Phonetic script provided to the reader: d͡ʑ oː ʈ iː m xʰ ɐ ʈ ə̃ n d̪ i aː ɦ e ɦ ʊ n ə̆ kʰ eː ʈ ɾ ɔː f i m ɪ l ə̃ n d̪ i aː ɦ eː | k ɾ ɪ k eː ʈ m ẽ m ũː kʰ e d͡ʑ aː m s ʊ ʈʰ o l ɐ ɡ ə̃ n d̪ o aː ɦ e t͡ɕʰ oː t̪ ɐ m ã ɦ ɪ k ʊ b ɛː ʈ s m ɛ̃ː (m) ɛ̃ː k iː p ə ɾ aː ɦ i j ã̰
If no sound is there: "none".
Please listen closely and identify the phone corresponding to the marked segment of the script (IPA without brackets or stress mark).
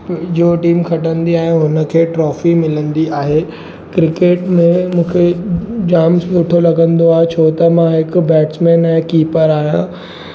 n